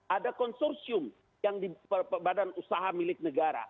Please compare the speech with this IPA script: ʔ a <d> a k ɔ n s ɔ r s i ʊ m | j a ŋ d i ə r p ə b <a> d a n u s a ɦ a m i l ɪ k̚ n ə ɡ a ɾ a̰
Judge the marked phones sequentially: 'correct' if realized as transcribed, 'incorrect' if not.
correct, correct

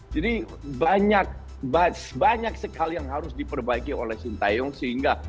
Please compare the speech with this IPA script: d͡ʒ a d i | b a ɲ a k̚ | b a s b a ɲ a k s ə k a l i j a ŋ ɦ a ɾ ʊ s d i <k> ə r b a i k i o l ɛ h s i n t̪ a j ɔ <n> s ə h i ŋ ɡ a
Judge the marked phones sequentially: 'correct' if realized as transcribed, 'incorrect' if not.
incorrect, incorrect

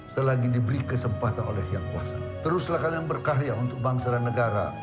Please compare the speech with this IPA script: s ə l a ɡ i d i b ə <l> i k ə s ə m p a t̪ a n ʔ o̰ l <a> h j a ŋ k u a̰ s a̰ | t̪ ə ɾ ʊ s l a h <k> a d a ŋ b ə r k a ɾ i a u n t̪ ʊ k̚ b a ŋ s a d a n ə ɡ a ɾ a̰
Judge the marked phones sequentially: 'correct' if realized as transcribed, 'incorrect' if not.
incorrect, incorrect, correct

